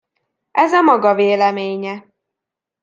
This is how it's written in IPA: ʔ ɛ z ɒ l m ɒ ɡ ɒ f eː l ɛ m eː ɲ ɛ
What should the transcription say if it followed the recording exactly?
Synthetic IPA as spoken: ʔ ɛ z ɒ m ɒ ɡ ɒ v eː l ɛ m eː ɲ ɛ